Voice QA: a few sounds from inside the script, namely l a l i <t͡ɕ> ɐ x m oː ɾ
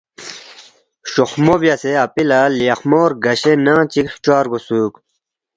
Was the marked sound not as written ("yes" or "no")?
yes